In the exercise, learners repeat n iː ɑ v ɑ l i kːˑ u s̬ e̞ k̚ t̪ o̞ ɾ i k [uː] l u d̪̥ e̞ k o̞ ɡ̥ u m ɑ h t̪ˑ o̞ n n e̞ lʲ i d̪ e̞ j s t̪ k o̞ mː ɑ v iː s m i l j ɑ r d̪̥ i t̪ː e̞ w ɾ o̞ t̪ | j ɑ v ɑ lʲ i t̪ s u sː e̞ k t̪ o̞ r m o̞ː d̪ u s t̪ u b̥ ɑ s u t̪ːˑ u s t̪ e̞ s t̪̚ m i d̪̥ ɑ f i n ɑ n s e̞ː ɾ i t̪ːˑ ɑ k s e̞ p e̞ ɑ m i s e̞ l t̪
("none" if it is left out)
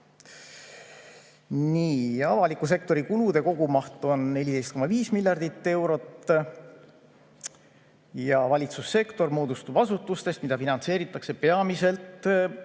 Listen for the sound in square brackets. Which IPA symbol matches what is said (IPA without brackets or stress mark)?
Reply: u